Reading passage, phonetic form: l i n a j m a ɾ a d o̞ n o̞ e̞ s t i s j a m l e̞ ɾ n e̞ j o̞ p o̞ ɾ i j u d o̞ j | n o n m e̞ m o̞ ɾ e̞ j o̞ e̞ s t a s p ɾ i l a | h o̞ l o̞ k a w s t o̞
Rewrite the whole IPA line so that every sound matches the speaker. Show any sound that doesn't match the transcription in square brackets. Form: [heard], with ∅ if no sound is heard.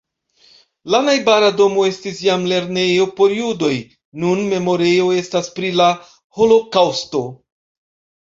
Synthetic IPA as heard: l [a] n a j [b] a ɾ a d o̞ [m] o̞ e̞ s t i s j a m l e̞ ɾ n e̞ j o̞ p o̞ ɾ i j u d o̞ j | n [u] n m e̞ m o̞ ɾ e̞ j o̞ e̞ s t a s p ɾ i l a | h o̞ l o̞ k a w s t o̞